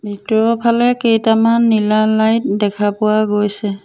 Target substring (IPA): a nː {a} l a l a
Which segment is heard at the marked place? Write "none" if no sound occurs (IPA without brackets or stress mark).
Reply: i